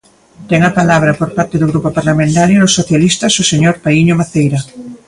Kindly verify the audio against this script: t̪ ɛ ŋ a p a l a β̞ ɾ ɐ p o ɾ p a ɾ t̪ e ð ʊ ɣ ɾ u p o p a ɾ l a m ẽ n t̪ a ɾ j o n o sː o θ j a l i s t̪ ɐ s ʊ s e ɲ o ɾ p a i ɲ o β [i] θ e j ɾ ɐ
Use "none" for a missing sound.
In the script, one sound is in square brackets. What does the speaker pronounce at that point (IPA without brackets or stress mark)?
a